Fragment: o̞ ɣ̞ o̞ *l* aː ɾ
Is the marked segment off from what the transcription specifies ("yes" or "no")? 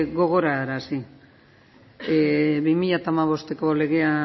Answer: yes